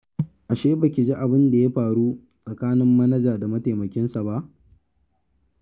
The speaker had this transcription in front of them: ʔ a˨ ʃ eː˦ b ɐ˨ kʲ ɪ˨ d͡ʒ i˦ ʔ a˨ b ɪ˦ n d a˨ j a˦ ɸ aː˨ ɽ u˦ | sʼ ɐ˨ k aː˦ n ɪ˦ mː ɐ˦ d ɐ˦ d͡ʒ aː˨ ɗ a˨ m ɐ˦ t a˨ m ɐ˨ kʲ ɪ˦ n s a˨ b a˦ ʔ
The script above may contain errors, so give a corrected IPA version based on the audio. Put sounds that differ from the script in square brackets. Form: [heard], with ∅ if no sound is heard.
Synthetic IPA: ʔ a˨ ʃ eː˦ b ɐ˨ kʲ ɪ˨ d͡ʒ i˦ ʔ a˨ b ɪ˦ n d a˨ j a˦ ɸ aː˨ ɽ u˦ | sʼ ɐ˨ k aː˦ n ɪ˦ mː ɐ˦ [n] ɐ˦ d͡ʒ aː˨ [d] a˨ m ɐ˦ t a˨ m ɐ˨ kʲ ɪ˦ n s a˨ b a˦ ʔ